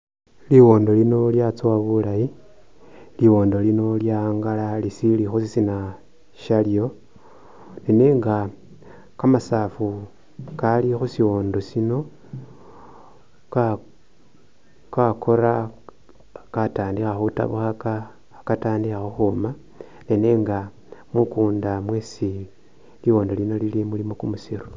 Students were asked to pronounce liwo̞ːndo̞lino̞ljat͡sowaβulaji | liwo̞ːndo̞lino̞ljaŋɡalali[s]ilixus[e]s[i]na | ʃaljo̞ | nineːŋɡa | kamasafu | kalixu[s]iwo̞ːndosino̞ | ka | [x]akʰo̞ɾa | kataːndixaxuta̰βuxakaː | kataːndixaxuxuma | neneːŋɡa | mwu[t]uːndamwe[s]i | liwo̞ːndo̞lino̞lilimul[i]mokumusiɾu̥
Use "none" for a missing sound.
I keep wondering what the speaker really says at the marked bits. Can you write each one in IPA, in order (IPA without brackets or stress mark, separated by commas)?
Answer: s, i, i, s, k, k, s, i